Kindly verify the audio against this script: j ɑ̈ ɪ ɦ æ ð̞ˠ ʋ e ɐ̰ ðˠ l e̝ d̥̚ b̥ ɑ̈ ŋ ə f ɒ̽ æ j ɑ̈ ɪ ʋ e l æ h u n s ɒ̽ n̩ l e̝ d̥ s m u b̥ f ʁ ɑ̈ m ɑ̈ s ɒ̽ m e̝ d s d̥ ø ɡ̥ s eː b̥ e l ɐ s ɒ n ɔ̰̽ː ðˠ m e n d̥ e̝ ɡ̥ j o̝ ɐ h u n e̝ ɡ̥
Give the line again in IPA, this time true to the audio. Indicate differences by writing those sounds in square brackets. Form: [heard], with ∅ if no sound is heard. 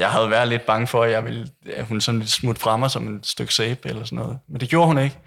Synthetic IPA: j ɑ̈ ɪ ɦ æ ð̞ˠ ʋ [æ] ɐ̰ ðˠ l e̝ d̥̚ b̥ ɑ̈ ŋ ə f ɒ̽ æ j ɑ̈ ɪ ʋ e l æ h u n s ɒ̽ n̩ l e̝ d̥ s m u [d̥] f ʁ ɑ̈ m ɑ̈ s ɒ̽ m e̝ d s d̥ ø ɡ̥ s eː b̥ e l ɐ s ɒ n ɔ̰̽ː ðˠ m e n d̥ e̝ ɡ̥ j o̝ ɐ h u n e̝ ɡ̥